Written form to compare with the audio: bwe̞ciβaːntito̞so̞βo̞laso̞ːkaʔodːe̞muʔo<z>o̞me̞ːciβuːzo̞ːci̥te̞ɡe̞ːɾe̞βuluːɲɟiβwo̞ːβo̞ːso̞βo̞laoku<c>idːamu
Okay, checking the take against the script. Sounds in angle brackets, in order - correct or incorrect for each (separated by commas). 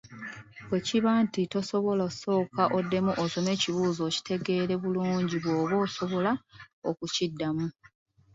incorrect, correct